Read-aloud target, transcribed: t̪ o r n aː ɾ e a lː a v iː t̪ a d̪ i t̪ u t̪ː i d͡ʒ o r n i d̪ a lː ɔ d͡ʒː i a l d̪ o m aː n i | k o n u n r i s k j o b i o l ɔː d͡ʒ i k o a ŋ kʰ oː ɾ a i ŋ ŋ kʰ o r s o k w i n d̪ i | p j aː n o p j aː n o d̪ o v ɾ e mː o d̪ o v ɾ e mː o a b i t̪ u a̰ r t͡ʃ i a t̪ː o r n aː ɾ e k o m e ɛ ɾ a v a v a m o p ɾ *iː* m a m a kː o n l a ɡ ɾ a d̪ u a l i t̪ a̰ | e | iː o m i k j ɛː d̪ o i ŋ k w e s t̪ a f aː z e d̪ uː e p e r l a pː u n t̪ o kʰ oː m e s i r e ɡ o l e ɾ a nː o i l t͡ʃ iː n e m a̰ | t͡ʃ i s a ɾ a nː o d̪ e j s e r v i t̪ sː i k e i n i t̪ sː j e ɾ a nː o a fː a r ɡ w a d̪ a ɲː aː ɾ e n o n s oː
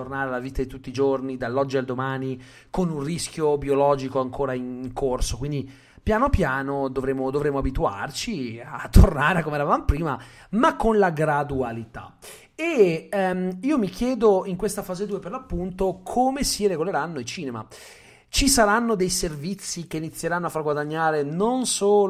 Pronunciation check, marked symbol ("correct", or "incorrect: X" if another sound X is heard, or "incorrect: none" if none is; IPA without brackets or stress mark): correct